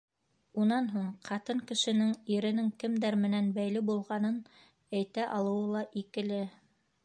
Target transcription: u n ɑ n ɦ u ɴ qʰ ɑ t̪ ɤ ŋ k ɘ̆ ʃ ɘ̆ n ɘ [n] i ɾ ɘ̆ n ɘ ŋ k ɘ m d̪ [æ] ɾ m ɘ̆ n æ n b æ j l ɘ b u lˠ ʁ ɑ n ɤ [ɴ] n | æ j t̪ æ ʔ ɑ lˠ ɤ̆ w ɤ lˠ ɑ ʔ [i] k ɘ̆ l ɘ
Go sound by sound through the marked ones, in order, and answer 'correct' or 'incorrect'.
incorrect, correct, incorrect, correct

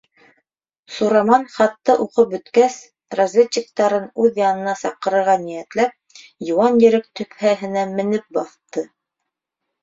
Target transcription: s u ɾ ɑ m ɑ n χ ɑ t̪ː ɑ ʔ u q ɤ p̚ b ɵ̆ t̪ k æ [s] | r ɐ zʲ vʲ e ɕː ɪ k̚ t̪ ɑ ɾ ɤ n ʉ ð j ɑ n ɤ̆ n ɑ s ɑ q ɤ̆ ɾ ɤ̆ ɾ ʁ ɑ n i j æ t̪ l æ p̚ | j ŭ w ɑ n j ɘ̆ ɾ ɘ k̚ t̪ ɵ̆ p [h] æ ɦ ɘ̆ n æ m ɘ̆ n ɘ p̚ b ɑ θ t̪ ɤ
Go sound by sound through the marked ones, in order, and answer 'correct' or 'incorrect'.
correct, correct

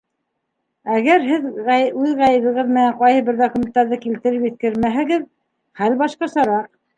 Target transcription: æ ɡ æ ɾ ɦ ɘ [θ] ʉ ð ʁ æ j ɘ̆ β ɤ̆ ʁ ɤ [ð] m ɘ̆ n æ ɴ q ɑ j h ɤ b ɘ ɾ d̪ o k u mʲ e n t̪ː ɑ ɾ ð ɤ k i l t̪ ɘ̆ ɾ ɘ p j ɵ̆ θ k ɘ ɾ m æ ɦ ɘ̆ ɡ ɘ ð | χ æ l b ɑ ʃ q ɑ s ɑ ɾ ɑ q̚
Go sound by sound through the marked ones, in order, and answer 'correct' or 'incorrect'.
incorrect, correct

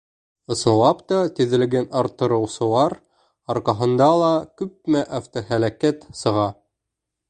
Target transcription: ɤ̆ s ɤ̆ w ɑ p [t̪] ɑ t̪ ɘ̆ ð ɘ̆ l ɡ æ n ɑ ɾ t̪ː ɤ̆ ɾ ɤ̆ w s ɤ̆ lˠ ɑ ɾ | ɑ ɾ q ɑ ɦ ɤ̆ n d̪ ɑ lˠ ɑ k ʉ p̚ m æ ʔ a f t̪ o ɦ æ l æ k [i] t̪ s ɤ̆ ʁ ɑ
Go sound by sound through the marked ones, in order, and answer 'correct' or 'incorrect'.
correct, incorrect

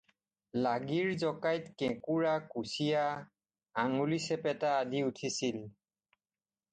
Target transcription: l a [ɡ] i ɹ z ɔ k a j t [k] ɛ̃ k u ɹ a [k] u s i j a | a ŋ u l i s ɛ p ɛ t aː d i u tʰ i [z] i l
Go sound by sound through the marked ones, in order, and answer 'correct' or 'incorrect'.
correct, correct, correct, incorrect

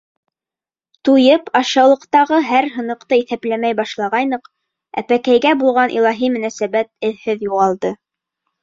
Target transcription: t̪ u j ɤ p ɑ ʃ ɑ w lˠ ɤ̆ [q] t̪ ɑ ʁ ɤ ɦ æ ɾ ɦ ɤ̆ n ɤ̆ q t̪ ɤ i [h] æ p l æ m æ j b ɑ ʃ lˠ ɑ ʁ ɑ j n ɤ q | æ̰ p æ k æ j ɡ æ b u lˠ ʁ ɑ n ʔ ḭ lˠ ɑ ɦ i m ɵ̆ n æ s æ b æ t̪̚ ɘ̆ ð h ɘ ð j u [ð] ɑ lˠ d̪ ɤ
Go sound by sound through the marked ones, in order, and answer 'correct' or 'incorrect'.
correct, incorrect, incorrect

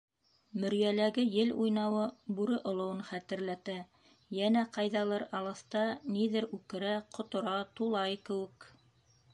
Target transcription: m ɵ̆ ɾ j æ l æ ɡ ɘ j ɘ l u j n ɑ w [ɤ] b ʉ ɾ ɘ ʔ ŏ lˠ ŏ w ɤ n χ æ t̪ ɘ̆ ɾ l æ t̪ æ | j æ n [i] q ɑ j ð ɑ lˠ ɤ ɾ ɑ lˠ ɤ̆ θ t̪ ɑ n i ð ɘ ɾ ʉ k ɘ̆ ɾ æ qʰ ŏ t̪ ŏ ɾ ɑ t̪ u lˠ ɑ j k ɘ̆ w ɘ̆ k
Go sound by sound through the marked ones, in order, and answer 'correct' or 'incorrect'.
correct, incorrect

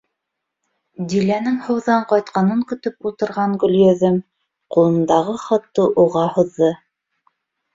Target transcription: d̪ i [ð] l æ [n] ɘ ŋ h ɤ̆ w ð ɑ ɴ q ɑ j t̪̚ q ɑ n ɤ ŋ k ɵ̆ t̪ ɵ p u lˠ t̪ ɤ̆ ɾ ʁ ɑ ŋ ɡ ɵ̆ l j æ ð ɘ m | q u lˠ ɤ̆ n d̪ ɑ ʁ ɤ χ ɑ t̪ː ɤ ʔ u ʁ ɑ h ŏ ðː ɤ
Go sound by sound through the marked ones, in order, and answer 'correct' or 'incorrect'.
incorrect, correct

